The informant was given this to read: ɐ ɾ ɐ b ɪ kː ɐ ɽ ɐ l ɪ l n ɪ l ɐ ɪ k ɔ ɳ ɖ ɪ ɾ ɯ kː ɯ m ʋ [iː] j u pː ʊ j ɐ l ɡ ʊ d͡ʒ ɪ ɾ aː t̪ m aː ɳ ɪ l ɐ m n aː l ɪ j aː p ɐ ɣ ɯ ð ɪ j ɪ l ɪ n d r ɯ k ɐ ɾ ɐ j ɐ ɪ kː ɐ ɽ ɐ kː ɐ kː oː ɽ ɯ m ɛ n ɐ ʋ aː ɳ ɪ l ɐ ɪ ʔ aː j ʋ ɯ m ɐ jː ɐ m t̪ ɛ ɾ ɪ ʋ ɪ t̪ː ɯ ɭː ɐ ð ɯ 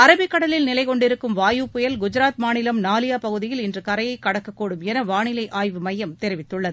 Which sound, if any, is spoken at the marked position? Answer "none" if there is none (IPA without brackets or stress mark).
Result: aː